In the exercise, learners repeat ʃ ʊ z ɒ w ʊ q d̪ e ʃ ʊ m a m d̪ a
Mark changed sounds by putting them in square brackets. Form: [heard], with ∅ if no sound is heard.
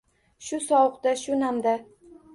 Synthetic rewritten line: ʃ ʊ [s] ɒ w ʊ q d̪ [a] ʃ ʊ [n] a m d̪ a